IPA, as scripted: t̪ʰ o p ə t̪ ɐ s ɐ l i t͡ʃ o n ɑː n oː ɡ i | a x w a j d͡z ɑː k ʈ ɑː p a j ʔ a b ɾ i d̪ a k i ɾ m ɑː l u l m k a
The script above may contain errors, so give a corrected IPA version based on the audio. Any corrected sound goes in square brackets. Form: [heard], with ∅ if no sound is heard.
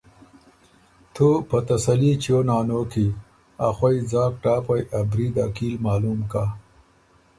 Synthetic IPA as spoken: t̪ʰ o p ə t̪ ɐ s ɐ l i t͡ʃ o n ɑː n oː [k] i | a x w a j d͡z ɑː k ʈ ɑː p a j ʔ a b ɾ i d̪ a k i [l] m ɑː l u [∅] m k a